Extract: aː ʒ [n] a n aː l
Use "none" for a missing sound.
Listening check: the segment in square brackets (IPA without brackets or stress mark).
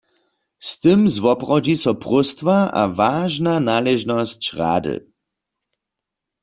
n